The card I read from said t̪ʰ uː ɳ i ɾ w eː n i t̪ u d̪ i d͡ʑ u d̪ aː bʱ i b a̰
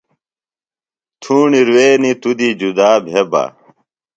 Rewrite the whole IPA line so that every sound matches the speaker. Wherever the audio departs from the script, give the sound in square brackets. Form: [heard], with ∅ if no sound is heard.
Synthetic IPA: t̪ʰ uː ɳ i ɾ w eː n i t̪ u d̪ i d͡ʑ u d̪ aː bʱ [e] b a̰